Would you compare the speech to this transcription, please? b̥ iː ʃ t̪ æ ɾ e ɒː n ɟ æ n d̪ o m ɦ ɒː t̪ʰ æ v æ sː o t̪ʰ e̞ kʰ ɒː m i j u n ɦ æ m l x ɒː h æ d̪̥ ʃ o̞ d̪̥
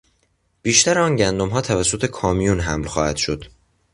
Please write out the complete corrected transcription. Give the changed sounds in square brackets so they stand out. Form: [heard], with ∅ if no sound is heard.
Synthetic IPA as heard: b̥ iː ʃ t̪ æ ɾ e ɒː n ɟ æ n d̪ o m ɦ ɒː t̪ʰ æ v æ sː o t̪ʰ e̞ kʰ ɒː m i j u n ɦ æ m l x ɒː h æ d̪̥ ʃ o̞ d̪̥